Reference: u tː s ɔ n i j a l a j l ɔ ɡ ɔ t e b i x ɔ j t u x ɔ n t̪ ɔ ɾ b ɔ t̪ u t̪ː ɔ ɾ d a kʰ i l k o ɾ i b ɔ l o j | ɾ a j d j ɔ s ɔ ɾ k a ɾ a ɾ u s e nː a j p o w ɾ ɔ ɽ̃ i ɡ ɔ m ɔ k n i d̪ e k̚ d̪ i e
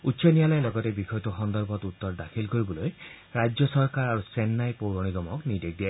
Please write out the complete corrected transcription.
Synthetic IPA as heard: u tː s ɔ n i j a l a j l ɔ ɡ ɔ t e b i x ɔ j t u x ɔ n d̪ ɔ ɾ b ɔ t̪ u t̪ː ɔ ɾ d a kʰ i l k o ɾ i b ɔ l o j | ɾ a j d͡ʒ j ɔ s ɔ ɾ k a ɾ a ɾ u s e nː a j p o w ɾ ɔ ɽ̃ i ɡ ɔ m ɔ k n i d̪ e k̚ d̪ i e